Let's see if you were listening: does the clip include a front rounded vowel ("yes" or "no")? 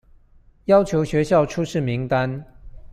no